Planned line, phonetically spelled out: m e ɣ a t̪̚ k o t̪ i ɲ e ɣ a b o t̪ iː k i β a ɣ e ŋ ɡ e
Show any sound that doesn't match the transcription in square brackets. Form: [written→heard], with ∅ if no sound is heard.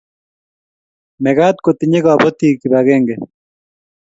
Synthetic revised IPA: m e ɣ a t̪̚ k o t̪ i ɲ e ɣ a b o t̪ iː k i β a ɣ e ŋ ɡ e